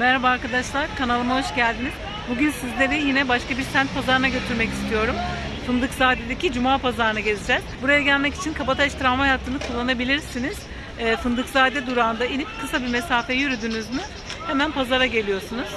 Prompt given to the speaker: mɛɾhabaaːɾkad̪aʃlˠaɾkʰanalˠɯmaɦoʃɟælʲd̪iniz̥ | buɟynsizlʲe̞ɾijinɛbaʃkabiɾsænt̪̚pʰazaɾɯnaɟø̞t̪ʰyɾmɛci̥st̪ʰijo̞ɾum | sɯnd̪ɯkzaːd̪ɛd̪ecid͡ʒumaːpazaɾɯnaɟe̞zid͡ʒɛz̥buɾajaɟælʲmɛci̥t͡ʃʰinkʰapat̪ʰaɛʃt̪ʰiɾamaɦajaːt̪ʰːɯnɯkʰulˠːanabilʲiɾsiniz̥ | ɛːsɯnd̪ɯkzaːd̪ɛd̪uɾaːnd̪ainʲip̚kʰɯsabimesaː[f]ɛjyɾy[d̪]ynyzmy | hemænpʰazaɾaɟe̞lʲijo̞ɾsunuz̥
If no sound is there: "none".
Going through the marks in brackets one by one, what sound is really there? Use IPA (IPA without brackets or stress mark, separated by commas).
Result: f, d̪